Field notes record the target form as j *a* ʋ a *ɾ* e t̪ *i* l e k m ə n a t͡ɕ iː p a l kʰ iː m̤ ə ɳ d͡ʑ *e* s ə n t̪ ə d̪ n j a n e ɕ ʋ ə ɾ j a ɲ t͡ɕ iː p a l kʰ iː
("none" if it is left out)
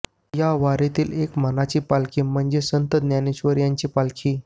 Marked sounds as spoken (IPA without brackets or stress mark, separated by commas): a, ɾ, iː, e